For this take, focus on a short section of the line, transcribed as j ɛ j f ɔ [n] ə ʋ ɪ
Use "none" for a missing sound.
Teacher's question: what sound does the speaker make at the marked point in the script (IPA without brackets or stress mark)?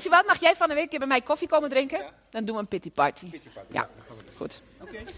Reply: n